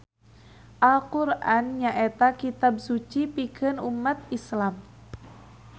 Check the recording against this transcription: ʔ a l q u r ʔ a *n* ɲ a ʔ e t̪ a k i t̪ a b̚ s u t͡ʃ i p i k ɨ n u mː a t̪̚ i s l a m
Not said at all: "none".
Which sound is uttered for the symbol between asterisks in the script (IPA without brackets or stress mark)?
n